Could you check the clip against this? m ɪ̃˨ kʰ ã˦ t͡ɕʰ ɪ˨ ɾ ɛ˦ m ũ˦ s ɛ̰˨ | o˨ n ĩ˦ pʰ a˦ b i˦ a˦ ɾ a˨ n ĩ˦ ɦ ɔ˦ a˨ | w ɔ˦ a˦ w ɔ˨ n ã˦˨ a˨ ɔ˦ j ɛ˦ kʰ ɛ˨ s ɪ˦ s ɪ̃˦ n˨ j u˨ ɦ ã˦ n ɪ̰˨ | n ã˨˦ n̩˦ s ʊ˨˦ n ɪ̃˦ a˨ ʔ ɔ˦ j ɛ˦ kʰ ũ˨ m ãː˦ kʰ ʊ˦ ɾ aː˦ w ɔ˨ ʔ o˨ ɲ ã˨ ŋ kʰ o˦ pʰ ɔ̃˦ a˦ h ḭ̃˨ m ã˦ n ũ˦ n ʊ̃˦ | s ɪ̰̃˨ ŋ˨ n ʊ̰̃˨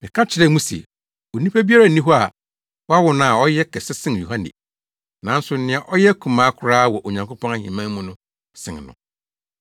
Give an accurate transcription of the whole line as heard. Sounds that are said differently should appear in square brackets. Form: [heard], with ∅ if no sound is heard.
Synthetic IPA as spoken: m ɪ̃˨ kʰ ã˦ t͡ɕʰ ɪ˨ ɾ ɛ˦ m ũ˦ s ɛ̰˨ | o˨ n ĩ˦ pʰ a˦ b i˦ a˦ ɾ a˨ n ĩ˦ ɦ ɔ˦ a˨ | w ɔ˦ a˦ w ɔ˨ n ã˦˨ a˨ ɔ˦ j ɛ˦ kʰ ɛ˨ s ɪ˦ s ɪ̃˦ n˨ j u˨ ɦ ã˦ n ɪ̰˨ | n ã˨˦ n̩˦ s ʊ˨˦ n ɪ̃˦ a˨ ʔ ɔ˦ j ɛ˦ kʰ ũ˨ m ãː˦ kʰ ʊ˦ ɾ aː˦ w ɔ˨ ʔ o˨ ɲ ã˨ ŋ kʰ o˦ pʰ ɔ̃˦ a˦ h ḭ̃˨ m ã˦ [m] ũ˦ n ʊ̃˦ | s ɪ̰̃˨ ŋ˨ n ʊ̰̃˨

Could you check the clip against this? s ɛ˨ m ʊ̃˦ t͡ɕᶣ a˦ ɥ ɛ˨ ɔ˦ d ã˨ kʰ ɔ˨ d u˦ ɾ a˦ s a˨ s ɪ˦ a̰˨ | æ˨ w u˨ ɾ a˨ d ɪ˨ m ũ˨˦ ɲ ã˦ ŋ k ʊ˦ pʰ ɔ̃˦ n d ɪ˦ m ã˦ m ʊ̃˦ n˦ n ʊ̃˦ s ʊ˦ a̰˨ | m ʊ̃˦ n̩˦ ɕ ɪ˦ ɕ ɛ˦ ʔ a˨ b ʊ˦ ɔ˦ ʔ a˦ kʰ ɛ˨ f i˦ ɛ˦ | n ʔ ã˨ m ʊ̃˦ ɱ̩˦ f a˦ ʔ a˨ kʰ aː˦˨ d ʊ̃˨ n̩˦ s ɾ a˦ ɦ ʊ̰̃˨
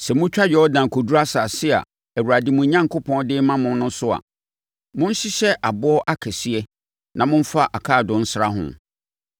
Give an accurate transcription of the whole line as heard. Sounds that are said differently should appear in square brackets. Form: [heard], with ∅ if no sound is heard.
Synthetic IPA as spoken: s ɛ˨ m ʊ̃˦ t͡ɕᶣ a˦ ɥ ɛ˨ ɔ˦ d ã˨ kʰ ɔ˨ d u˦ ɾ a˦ s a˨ s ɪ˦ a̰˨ | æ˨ w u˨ ɾ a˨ d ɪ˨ m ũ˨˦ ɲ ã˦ ŋ k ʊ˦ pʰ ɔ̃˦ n d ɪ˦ m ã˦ m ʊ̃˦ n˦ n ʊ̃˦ s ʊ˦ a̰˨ | m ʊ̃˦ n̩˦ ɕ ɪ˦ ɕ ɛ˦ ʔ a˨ b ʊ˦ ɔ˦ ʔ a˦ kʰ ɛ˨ [s] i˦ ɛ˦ | n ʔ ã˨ m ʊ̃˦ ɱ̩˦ f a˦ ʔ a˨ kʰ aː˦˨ d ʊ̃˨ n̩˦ s ɾ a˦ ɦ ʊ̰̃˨

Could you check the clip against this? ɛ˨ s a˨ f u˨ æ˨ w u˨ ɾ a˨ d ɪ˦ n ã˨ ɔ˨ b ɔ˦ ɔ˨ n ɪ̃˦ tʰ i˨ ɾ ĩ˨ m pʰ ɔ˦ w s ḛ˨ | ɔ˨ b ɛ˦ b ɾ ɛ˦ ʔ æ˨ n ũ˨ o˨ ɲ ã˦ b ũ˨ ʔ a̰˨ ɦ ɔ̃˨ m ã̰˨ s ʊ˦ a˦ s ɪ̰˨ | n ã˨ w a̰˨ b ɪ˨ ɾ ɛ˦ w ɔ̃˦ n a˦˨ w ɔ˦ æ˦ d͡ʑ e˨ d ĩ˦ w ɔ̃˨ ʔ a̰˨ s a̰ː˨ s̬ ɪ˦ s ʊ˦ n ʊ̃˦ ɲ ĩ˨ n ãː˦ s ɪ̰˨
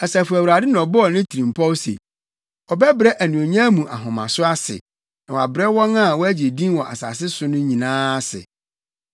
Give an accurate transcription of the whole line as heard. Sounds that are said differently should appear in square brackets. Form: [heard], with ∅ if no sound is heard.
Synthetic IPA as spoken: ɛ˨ s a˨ f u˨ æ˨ w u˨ ɾ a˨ d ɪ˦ n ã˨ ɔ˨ b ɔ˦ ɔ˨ n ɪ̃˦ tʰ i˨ ɾ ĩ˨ m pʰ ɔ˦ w s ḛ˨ | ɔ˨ b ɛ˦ b ɾ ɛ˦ ʔ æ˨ n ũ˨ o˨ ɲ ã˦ [m] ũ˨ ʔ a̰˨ ɦ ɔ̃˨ m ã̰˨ s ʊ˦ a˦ s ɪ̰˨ | n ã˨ w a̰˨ b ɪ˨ ɾ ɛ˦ w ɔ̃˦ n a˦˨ w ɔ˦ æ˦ d͡ʑ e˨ d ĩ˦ w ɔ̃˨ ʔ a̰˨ s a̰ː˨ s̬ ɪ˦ s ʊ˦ n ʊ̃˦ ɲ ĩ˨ n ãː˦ s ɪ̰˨

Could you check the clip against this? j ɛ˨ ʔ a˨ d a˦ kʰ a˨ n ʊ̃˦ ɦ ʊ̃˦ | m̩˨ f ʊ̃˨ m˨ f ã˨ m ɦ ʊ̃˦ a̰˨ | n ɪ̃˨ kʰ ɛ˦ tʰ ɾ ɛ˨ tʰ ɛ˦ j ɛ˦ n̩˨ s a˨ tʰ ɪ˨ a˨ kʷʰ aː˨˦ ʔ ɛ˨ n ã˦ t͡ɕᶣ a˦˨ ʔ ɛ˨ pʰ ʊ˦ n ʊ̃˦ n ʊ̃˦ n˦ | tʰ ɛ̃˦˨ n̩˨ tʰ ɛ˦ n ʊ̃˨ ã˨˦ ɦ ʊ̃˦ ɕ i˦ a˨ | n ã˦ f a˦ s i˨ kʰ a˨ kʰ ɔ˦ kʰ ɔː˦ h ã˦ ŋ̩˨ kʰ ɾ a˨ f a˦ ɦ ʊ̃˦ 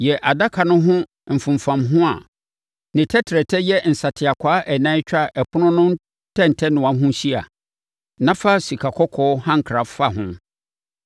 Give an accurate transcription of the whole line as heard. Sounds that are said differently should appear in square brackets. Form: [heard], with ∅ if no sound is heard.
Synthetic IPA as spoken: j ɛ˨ ʔ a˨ d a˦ kʰ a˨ n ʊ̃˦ ɦ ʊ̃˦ | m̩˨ f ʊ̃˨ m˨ f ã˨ m ɦ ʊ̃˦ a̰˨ | n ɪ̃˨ [tʰ] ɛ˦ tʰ ɾ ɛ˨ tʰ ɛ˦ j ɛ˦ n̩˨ s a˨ tʰ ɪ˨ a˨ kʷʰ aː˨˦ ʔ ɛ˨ n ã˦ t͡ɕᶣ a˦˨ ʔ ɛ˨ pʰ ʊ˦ n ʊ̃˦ n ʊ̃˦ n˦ | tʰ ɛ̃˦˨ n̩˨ tʰ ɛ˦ n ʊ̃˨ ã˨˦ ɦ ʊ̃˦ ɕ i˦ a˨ | n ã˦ f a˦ s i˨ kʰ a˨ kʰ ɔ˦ kʰ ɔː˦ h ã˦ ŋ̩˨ kʰ ɾ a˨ f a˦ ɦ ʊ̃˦

